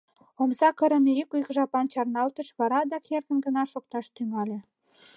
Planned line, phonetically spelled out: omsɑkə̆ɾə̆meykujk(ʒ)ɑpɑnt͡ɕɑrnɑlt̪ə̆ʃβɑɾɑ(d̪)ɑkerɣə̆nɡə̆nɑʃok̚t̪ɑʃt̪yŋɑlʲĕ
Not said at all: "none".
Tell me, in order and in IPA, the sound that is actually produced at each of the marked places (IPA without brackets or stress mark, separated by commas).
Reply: ʒ, d̪